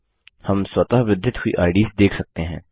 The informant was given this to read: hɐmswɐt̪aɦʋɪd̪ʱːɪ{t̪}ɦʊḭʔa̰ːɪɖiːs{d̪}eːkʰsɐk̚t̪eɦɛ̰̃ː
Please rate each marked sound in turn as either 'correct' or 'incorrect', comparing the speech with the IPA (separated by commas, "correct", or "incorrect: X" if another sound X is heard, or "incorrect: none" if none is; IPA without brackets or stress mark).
correct, correct